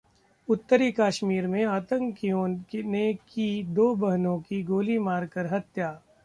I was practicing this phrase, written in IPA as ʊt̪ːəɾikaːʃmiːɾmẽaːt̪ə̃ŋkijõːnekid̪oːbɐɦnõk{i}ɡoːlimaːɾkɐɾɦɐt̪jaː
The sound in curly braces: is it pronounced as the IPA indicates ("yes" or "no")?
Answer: yes